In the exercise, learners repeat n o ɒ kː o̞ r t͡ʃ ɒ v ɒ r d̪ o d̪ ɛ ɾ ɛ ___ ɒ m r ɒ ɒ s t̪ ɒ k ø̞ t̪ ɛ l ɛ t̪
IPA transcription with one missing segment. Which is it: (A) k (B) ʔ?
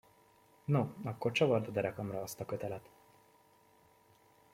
A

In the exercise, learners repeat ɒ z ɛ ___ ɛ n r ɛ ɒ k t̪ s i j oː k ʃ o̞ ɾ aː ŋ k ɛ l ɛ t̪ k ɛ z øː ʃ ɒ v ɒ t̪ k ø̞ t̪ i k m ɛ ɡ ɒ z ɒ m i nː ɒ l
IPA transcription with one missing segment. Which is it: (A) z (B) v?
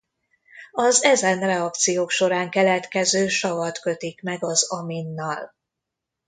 A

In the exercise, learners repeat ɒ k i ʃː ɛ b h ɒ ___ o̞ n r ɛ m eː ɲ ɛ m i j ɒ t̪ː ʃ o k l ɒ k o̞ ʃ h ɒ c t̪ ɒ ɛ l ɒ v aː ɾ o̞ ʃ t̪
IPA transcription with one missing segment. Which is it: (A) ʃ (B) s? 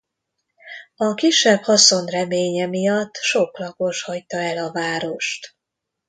B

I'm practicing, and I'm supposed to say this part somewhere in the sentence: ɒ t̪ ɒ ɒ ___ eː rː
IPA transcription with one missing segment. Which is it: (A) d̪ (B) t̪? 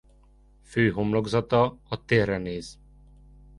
B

